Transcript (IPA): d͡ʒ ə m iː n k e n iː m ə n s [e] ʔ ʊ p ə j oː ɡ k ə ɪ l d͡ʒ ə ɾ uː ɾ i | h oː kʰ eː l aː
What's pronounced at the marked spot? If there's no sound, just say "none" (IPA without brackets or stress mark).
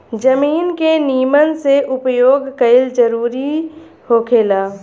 e